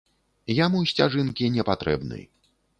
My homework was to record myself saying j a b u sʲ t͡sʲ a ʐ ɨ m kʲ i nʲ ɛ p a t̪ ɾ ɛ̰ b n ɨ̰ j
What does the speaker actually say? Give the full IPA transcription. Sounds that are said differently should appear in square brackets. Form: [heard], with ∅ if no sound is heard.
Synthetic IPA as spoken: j a [m] u sʲ t͡sʲ a ʐ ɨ [n] kʲ i nʲ ɛ p a t̪ ɾ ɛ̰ b n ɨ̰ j